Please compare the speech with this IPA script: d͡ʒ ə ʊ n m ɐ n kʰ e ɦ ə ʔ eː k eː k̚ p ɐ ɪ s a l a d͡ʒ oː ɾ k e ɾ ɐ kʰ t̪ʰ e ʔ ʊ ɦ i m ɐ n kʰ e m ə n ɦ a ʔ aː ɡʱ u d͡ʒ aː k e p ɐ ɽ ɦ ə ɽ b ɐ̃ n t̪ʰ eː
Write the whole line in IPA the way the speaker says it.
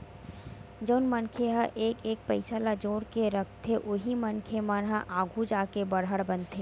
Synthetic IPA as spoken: d͡ʒ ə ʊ n m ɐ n kʰ e ɦ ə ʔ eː k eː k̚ p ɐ ɪ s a l a d͡ʒ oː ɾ k e ɾ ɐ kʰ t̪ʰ e ʔ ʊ ɦ i m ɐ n kʰ e m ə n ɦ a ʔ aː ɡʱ u d͡ʒ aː k e b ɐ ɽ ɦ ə ɽ b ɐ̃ n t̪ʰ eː